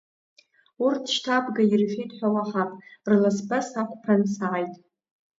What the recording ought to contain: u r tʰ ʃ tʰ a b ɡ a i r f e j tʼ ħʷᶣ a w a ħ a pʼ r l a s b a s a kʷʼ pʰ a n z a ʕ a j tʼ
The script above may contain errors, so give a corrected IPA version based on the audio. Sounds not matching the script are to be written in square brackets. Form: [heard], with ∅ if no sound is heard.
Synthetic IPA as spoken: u r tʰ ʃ tʰ a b ɡ a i r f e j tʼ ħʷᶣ a w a ħ a pʼ r l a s b a s a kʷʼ pʰ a n [s] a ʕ a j tʼ